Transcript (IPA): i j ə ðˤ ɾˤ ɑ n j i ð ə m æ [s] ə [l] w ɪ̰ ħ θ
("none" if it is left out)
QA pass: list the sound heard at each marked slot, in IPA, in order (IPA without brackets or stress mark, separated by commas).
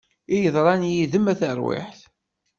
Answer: θ, ɾ